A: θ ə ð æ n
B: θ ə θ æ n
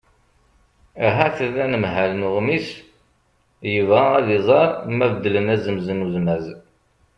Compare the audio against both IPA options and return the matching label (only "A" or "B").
A